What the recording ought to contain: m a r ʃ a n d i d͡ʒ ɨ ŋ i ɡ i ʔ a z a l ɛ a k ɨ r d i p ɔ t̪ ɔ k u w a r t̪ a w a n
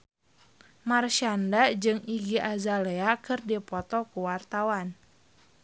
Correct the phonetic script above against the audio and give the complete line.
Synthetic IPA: m a r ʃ a n d a d͡ʒ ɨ ŋ i ɡ i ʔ a z a l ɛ a k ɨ r d i p ɔ t̪ ɔ k u w a r t̪ a w a n